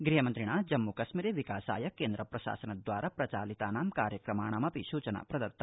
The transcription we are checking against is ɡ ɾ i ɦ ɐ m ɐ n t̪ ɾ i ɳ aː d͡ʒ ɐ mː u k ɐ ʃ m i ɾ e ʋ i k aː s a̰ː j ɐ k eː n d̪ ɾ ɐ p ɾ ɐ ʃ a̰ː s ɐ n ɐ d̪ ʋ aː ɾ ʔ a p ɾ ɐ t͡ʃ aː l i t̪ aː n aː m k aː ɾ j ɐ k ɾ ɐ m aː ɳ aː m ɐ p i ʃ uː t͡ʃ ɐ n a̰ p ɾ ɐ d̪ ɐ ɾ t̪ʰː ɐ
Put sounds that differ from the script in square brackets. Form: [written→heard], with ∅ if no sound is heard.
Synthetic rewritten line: ɡ ɾ i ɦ ɐ m ɐ n t̪ ɾ i ɳ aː d͡ʒ ɐ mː u k ɐ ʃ m i ɾ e ʋ i k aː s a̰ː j ɐ k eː n d̪ ɾ ɐ p ɾ ɐ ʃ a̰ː s ɐ n ɐ d̪ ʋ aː ɾ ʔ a p ɾ ɐ t͡ʃ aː l i t̪ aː n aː m k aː ɾ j ɐ k ɾ ɐ m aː ɳ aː m ɐ p i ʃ uː t͡ʃ ɐ n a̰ p ɾ ɐ d̪ ɐ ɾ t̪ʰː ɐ